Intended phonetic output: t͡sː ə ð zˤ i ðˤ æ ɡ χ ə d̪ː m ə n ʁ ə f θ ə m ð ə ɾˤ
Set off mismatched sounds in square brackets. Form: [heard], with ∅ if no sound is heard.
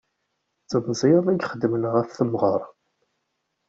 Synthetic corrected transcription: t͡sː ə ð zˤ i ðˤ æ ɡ χ ə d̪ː m ə n ʁ ə f θ ə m [ʁ] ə ɾˤ